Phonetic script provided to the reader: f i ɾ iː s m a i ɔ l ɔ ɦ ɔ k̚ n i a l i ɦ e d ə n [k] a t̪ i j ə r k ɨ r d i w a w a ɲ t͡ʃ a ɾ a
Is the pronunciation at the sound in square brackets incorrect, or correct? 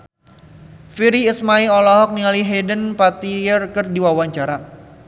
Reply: incorrect